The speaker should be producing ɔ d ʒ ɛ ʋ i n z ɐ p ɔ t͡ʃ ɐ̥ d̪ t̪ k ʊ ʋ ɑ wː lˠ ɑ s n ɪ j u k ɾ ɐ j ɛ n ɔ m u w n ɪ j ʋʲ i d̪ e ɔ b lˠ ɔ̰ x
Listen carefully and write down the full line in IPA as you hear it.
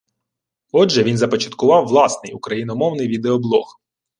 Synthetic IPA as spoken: ɔ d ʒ ɛ ʋ i n z ɐ p ɔ t͡ʃ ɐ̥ t̪ k ʊ ʋ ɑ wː lˠ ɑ s n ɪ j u k ɾ ɐ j i n ɔ m ɔ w n ɪ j ʋʲ i d̪ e ɔ b lˠ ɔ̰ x